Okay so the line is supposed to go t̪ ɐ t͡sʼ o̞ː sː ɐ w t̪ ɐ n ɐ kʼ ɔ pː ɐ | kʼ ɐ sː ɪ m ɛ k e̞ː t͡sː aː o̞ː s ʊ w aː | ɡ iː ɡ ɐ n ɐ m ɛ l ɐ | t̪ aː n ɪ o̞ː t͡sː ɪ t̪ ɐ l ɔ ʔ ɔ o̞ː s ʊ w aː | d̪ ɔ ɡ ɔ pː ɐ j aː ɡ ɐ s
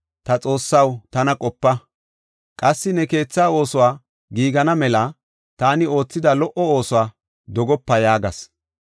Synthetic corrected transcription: t̪ ɐ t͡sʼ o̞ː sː ɐ w t̪ ɐ n ɐ kʼ ɔ pː ɐ | kʼ ɐ sː ɪ n ɛ k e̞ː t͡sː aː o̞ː s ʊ w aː | ɡ iː ɡ ɐ n ɐ m ɛ l ɐ | t̪ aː n ɪ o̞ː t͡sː ɪ d̪ ɐ l ɔ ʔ ɔ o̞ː s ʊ w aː | d̪ ɔ ɡ ɔ pː ɐ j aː ɡ ɐ s